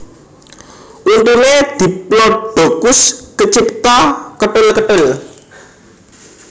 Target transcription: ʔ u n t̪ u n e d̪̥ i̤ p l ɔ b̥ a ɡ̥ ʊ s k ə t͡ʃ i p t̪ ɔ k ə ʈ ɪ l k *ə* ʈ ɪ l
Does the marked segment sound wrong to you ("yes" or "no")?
no